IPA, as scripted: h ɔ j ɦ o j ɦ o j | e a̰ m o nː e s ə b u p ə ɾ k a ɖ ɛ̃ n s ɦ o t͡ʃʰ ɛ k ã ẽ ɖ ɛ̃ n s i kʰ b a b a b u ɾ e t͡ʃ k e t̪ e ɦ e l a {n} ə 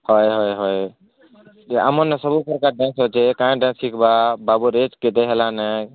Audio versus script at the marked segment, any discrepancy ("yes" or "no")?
no